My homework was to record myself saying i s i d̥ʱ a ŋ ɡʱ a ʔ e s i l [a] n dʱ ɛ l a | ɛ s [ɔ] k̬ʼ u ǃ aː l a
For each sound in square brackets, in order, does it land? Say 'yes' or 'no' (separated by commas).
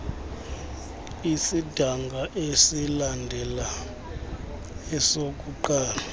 yes, no